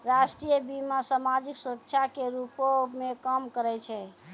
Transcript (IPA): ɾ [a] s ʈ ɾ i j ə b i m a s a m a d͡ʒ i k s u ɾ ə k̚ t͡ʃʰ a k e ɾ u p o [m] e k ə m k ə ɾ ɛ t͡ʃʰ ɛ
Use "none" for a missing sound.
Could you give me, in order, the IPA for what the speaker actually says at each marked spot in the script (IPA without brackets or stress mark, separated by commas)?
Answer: a, m